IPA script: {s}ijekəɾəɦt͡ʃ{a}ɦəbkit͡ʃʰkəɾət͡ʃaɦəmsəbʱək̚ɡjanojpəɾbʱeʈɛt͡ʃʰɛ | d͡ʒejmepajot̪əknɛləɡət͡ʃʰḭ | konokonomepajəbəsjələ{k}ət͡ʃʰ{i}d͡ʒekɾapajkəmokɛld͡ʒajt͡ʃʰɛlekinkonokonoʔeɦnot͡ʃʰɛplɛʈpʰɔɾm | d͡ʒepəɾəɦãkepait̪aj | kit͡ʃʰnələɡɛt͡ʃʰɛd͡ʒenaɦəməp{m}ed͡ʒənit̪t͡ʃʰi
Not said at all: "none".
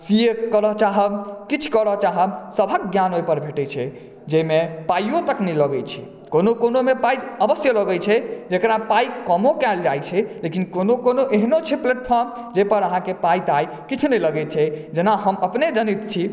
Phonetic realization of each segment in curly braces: s, a, ɡ, ɛ, n

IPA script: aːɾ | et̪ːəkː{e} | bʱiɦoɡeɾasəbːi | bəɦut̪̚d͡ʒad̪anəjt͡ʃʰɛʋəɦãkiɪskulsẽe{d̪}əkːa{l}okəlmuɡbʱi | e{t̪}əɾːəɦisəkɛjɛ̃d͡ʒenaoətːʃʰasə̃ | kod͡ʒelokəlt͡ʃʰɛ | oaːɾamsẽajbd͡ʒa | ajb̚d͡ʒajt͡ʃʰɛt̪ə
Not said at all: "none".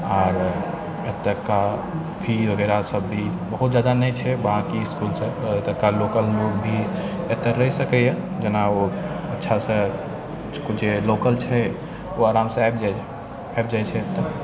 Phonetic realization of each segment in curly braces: a, t̪, l, t̪

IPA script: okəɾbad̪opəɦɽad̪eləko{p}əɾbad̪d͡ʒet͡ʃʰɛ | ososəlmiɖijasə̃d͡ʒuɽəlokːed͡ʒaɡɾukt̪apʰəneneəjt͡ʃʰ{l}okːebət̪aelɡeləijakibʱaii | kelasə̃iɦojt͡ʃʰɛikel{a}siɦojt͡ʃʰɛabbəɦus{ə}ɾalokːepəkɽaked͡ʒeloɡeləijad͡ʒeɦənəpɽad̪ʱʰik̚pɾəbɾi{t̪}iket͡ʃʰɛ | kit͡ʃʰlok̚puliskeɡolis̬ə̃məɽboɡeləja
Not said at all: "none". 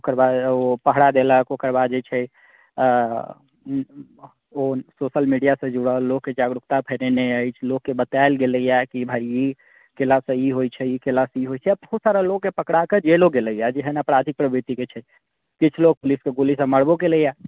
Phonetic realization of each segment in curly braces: k, l, a, a, t̪

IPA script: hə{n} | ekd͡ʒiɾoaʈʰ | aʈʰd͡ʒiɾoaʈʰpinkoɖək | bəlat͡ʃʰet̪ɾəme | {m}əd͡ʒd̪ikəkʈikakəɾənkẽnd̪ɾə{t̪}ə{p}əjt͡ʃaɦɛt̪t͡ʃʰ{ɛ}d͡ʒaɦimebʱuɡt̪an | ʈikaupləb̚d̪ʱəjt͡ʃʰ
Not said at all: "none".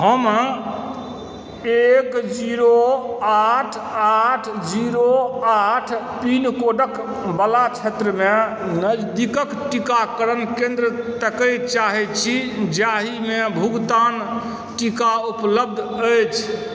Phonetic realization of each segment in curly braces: m, n, t̪, k, i

